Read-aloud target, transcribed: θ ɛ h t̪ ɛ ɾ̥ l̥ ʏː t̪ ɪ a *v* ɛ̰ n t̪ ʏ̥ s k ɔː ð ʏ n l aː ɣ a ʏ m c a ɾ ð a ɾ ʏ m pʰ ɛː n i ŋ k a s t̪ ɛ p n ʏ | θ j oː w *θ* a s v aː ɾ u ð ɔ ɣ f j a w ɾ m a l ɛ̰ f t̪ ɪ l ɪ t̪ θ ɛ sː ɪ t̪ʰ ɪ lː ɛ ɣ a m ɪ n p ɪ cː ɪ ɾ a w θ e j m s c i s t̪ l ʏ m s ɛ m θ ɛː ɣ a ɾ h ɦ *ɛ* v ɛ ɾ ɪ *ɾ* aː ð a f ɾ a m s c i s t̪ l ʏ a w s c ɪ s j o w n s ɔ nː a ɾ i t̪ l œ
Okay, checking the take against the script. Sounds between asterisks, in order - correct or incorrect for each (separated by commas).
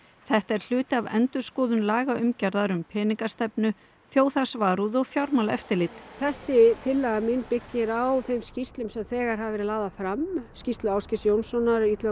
correct, correct, incorrect, incorrect